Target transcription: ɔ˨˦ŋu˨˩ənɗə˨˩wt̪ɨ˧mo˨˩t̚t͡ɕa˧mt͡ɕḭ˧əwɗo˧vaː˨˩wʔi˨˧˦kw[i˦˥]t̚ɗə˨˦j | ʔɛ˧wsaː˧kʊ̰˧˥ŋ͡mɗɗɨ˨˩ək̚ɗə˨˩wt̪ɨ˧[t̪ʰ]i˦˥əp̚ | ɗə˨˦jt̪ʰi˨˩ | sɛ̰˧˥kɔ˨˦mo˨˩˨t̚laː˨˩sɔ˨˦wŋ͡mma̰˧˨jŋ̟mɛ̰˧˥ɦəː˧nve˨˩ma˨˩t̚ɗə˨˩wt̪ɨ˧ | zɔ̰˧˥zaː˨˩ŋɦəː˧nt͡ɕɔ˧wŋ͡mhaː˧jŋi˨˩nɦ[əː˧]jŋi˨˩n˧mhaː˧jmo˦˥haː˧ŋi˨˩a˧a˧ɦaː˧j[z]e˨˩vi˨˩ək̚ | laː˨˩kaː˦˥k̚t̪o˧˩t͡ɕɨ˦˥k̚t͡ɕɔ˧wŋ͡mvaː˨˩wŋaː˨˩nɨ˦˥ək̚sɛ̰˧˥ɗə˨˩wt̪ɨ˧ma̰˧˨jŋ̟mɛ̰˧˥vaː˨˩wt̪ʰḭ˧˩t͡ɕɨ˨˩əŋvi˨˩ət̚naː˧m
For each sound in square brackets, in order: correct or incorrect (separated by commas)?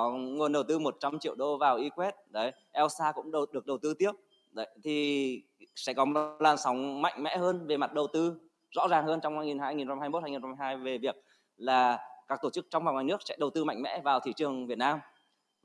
incorrect, incorrect, incorrect, incorrect